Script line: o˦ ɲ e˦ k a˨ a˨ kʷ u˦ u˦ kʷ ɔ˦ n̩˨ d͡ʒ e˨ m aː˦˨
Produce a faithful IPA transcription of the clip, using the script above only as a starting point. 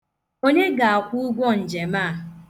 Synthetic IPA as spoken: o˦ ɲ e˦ ɡ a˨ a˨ kʷ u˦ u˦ ɡʷ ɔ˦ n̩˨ d͡ʒ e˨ m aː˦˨